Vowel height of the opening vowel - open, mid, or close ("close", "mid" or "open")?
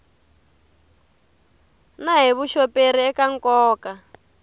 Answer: open